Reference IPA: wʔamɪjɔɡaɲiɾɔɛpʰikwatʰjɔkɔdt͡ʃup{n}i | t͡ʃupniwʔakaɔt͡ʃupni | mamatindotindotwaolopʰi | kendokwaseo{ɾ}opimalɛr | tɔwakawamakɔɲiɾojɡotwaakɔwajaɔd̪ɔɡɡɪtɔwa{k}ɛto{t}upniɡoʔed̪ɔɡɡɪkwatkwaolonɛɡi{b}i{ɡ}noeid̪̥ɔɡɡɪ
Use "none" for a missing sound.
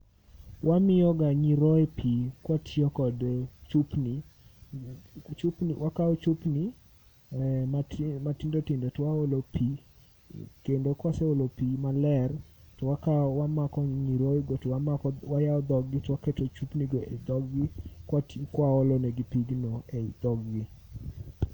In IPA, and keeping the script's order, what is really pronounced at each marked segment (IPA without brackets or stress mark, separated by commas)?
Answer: n, l, k, t͡ʃ, p, ɡ